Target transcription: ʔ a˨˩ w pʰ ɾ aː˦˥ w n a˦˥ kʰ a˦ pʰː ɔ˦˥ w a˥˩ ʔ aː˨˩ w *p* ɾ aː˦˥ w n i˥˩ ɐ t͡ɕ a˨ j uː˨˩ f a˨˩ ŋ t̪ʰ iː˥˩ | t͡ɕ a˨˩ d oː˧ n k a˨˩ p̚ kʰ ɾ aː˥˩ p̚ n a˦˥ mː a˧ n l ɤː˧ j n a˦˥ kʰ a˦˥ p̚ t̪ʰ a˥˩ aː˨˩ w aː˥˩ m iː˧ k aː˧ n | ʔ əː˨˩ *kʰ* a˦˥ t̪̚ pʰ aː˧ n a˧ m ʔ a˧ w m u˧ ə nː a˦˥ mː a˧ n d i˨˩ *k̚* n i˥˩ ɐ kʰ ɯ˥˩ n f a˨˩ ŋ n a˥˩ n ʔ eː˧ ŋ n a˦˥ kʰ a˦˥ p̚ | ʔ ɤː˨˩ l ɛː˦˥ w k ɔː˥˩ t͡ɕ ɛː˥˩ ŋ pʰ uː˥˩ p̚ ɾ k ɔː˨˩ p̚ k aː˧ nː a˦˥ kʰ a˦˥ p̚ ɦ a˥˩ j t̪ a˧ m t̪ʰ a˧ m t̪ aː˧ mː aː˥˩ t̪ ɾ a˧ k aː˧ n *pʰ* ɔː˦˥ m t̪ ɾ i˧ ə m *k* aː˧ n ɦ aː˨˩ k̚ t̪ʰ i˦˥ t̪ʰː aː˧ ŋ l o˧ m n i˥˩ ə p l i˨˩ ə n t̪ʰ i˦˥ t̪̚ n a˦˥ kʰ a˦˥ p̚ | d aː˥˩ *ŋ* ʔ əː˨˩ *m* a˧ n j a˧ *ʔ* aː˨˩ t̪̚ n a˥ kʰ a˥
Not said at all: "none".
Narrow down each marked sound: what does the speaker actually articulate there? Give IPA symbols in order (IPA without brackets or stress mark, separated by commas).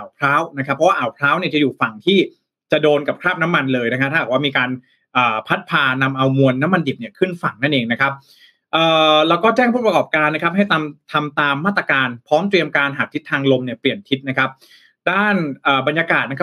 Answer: pʰ, pʰ, p̚, pʰ, k, n, b, k